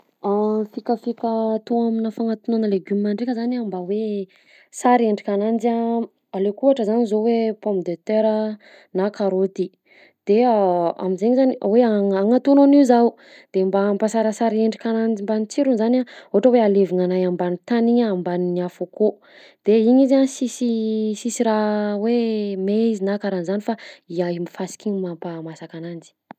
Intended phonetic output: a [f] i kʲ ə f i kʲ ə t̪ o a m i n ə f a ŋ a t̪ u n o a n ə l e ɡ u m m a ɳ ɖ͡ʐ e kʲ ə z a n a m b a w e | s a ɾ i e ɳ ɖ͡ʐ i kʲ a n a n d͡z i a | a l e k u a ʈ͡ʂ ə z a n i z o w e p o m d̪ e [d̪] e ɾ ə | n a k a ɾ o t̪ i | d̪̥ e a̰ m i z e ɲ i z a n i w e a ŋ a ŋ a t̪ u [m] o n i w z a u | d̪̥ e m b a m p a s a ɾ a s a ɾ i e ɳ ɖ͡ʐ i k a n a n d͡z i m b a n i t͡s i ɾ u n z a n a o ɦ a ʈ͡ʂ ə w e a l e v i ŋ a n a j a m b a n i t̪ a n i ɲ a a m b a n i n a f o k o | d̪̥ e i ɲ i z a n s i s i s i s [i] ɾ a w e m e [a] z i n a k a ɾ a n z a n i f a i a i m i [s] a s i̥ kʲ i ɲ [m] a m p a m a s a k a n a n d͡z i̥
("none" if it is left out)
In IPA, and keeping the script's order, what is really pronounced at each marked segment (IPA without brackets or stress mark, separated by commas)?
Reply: f, t̪, n, i, i, f, m